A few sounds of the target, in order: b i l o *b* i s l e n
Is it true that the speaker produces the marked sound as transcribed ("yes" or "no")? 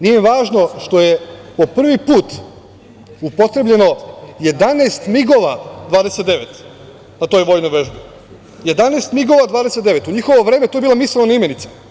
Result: no